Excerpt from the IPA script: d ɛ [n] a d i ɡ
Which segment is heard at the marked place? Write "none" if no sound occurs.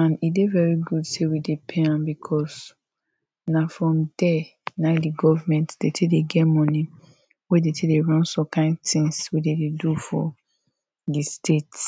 n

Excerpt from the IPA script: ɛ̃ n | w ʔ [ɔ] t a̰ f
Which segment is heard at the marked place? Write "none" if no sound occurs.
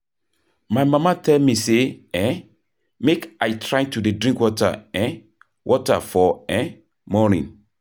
ɔ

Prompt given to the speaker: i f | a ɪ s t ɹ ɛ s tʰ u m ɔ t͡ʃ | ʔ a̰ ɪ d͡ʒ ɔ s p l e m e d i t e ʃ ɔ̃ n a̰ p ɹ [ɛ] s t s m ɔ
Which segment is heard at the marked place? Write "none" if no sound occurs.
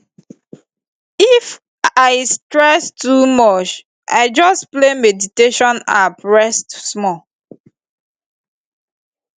ɛ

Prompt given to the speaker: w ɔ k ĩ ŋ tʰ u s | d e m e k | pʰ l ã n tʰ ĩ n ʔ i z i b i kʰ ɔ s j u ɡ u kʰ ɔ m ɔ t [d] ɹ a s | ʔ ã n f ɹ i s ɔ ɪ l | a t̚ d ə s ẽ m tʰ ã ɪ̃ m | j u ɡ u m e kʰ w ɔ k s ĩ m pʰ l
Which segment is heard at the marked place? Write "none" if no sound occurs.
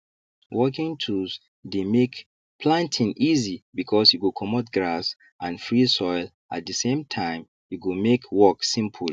ɡ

